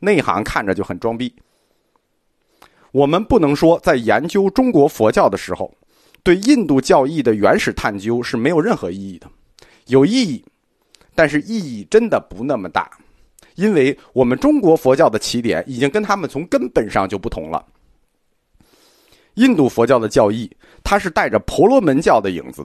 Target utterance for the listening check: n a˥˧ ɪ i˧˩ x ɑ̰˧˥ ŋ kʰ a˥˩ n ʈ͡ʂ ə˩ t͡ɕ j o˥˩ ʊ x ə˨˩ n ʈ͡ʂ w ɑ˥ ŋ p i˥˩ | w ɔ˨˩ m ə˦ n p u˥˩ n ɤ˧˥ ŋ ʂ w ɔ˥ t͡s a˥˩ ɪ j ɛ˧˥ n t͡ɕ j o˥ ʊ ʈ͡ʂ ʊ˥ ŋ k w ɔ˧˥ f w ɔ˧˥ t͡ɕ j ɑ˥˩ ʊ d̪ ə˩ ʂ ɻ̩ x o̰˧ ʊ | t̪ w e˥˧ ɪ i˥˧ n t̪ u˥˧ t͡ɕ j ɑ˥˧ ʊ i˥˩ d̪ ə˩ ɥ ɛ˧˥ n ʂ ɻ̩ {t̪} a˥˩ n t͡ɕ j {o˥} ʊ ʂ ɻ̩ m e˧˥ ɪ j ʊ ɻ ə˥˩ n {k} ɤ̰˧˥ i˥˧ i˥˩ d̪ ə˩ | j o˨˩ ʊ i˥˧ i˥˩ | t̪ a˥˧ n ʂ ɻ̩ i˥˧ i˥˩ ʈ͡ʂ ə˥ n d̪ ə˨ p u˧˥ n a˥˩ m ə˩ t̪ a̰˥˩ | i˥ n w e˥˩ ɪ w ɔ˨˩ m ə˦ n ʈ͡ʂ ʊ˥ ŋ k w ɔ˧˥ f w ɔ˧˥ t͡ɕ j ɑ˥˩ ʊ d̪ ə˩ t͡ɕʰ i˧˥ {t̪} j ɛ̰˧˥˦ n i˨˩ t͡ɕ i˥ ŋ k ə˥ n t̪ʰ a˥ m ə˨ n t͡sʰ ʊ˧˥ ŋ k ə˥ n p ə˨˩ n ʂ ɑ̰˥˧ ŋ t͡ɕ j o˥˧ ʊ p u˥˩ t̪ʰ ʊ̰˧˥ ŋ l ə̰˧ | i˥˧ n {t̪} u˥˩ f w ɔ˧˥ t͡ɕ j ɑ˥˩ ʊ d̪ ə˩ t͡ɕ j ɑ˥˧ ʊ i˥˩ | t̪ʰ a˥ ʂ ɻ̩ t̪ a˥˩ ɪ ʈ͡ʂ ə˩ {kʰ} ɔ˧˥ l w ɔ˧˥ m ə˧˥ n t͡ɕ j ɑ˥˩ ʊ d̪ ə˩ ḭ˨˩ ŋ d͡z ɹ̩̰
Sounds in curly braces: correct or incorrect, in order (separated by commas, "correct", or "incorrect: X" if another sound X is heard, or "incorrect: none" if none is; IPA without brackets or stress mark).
incorrect: t̪ʰ, correct, incorrect: x, correct, correct, incorrect: pʰ